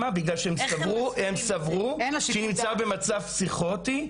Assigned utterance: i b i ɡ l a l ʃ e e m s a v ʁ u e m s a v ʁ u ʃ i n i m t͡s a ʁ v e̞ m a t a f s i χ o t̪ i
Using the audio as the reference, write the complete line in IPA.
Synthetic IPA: a b i ɡ l a l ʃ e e m s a v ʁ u e m s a v ʁ u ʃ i n i m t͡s a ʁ b e̞ m a t͡s a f s i χ o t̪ i